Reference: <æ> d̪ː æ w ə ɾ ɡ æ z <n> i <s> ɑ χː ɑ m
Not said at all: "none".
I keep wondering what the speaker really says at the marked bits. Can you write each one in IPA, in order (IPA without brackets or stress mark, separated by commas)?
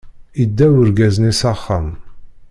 i, n, s